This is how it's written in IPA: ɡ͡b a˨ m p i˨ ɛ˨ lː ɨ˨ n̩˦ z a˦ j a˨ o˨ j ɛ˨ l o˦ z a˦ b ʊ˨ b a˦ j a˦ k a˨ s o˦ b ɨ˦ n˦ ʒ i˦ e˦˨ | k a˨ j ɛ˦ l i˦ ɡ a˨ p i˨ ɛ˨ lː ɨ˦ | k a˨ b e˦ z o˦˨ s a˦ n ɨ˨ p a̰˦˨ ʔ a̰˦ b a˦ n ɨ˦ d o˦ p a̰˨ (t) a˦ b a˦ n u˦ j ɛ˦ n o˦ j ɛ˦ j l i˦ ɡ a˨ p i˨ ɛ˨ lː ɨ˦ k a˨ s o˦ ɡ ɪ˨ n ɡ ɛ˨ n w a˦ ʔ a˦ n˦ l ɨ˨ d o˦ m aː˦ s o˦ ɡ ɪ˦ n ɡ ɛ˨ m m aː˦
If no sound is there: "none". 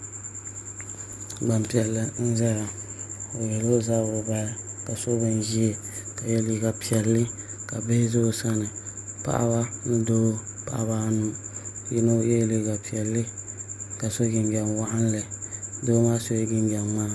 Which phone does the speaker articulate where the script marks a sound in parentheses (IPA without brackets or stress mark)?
ʔ